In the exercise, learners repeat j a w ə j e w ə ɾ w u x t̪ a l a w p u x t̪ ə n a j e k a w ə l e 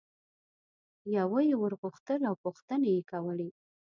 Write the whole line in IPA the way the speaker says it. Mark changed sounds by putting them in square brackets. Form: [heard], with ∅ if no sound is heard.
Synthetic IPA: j a w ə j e w ə ɾ [ɣ] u x t̪ [ə] l a w p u x t̪ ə n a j e k a w ə l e

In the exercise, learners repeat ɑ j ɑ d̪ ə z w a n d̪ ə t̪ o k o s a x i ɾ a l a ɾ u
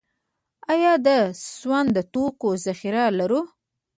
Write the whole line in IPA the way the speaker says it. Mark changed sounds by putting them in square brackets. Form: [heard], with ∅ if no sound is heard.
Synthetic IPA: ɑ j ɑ d̪ ə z w a n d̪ ə t̪ o k o [z] a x i ɾ a l a ɾ u

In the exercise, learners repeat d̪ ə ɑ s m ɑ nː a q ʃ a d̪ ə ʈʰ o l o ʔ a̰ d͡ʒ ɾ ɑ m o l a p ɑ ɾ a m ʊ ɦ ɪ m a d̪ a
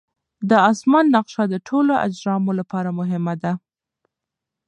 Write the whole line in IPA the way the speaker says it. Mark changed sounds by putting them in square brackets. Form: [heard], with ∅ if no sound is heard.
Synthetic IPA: d̪ ə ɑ s m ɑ nː a q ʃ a d̪ ə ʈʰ o l o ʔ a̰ d͡ʒ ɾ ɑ m o l a p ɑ ɾ a m ʊ ɦ ɪ m a d̪ a

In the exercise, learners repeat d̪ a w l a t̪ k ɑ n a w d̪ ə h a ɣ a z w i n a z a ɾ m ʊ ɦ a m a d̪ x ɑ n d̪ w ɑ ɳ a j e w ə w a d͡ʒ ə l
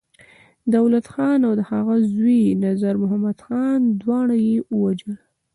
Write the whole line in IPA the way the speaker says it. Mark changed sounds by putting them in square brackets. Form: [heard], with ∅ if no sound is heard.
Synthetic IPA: d̪ a w l a t̪ [x] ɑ n a w d̪ ə h a ɣ a z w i n a z a ɾ m ʊ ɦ a m a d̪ x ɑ n d̪ w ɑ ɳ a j e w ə w a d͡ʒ ə l

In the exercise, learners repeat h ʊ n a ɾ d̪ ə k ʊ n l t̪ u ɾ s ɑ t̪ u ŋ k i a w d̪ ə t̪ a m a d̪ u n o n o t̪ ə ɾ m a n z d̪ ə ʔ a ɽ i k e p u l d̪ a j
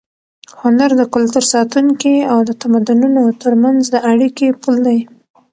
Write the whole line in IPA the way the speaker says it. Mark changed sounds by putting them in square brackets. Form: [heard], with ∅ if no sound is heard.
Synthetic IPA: h ʊ n a ɾ d̪ ə k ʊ [∅] l t̪ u ɾ s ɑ t̪ u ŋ k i a w d̪ ə t̪ a m a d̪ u n [u] n o t̪ ə ɾ m a n z d̪ ə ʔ a ɽ i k e p u l d̪ a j

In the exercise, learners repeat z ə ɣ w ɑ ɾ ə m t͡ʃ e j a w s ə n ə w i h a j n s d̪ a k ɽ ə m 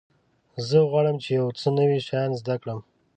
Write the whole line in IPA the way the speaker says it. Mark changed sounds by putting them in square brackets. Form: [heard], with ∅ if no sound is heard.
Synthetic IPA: z ə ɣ w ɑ [ɽ] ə m t͡ʃ e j a w [t͡s] ə n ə w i [ʃ] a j n [z] d̪ a k ɽ ə m

